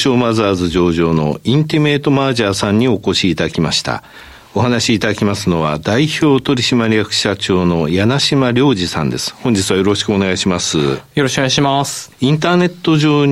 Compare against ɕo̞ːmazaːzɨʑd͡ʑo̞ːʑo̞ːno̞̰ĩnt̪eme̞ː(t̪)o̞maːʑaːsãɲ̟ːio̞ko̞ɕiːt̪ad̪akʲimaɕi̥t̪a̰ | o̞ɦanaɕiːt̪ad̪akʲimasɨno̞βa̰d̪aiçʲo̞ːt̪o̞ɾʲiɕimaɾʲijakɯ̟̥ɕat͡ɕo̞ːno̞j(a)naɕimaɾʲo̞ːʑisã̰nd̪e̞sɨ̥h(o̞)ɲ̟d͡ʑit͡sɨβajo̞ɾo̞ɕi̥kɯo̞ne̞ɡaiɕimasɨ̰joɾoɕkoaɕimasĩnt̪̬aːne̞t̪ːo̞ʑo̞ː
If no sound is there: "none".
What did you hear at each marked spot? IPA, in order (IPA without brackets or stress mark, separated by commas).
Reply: t̪, a, õ̞